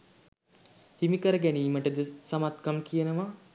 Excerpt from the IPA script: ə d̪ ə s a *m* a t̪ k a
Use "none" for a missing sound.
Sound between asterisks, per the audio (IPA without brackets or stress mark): m